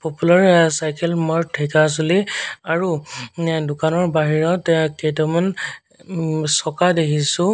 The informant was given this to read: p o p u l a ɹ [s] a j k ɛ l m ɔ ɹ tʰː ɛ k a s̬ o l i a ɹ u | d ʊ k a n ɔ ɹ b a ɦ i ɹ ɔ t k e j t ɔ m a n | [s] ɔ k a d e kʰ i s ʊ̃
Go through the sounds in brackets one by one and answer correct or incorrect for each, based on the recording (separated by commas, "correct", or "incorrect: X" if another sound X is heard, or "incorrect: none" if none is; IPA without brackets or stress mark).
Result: correct, correct